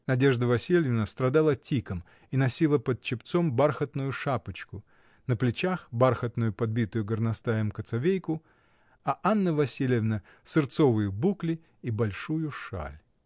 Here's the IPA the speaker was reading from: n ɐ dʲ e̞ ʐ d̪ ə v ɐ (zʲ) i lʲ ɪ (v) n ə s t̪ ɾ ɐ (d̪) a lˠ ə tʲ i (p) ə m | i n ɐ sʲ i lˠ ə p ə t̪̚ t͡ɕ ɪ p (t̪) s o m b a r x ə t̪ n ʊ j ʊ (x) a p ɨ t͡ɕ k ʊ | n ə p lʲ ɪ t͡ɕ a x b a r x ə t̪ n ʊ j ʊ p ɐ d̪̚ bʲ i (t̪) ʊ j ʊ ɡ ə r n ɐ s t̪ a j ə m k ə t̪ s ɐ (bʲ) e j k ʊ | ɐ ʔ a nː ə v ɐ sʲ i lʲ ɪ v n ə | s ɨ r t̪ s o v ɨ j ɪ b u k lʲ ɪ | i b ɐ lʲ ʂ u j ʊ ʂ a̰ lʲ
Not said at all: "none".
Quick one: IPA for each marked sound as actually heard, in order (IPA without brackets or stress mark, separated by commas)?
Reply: sʲ, v, d̪, k, t̪, ʂ, t̪, vʲ